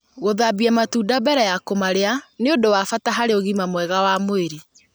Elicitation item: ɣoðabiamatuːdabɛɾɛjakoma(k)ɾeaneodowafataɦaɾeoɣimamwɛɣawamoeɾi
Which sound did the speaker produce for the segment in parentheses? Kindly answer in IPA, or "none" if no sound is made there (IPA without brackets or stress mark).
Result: none